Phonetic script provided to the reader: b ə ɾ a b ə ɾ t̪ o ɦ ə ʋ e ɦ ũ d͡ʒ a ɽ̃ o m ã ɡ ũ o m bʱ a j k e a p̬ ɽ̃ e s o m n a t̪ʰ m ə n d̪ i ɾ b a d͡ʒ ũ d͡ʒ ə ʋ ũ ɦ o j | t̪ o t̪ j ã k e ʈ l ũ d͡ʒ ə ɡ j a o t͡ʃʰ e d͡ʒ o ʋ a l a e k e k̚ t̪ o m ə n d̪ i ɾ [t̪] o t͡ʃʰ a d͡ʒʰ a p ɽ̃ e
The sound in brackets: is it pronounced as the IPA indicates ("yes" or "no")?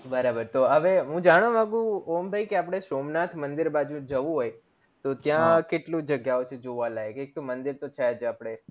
yes